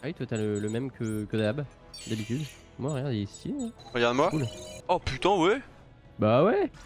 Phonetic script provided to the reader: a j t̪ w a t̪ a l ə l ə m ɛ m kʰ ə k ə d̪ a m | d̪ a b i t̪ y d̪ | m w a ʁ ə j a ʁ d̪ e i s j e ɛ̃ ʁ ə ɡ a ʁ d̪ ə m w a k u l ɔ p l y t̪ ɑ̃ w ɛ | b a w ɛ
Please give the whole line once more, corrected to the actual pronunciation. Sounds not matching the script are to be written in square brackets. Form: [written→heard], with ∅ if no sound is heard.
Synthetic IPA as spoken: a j t̪ w a t̪ a l ə l ə m ɛ m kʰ ə k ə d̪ a [m→b] | d̪ a b i t̪ y d̪ | m w a ʁ ə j a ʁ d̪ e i s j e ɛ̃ ʁ ə ɡ a ʁ d̪ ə m w a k u l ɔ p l y t̪ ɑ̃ w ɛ | b a w ɛ